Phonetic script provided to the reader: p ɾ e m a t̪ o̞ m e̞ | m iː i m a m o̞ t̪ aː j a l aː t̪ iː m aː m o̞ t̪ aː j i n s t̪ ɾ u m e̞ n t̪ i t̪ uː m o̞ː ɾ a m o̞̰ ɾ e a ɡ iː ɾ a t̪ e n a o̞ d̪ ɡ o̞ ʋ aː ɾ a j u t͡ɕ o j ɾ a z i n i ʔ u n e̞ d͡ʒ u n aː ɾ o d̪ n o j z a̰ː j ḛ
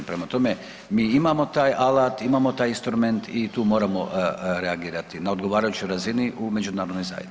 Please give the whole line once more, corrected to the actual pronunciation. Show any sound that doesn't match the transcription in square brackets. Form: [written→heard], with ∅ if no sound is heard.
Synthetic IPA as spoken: p ɾ e m a t̪ o̞ m e̞ | m iː i m a m o̞ t̪ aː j a l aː t̪ [iː→i] m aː m o̞ t̪ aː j i n s t̪ ɾ u m e̞ n t̪ i t̪ uː m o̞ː ɾ a m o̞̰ ɾ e a ɡ iː ɾ a t̪ [e→i] n a o̞ d̪ ɡ o̞ ʋ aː ɾ a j u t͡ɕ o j ɾ a z i n i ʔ u [n→m] e̞ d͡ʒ u n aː ɾ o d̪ n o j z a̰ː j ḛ